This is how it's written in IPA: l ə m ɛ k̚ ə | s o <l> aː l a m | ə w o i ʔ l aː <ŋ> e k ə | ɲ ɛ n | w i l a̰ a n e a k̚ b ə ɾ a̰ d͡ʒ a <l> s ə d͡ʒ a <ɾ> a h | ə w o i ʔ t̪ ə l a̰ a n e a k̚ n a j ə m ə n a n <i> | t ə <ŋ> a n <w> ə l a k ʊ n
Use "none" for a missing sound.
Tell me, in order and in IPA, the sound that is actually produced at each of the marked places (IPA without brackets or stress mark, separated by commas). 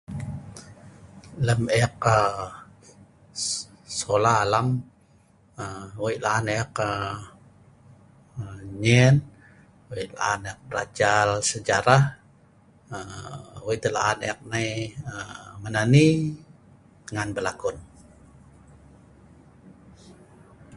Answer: l, n, l, ɾ, i, ŋ, b